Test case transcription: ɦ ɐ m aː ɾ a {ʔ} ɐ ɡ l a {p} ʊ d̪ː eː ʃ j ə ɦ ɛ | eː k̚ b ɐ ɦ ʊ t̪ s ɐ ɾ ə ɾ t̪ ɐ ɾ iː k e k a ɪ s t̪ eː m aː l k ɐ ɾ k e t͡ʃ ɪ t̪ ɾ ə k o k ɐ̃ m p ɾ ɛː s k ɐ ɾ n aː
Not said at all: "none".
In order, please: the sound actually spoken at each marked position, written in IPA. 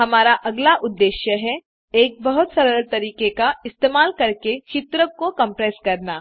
ʔ, ʔ

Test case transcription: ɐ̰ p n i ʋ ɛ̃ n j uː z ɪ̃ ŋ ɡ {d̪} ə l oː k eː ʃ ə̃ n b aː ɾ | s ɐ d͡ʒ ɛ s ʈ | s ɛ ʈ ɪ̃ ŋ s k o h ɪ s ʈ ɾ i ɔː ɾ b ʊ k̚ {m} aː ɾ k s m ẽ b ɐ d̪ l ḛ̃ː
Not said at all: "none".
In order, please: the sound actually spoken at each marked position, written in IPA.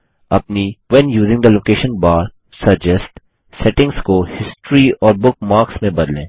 d̪, m

